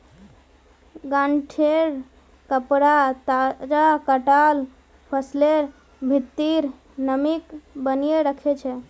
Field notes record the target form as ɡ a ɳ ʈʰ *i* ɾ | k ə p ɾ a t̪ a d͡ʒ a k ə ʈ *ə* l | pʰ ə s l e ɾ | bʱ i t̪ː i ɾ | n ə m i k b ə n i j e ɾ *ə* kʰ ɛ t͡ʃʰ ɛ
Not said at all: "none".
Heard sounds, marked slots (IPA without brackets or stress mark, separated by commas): e, a, ə